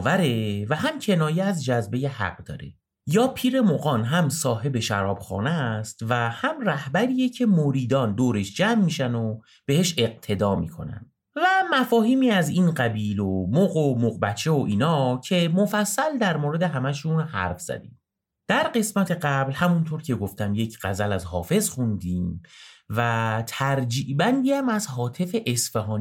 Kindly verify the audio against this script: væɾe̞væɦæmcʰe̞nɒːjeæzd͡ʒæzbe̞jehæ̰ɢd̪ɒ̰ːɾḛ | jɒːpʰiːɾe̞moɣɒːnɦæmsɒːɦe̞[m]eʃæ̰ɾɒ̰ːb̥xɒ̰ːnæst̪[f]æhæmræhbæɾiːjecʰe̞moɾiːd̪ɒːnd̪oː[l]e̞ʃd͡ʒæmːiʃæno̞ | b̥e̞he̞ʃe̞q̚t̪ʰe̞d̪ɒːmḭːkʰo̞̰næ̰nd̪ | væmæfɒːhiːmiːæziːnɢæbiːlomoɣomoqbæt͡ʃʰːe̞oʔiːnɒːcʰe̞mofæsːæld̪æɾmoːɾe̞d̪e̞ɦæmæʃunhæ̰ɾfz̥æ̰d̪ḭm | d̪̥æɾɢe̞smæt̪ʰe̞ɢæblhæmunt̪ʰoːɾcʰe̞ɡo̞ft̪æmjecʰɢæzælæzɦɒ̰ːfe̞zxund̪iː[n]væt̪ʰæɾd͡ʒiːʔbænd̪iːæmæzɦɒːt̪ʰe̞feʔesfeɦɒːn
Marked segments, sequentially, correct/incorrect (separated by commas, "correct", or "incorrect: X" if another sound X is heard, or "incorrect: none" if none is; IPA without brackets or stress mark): incorrect: b, incorrect: v, incorrect: ɾ, incorrect: m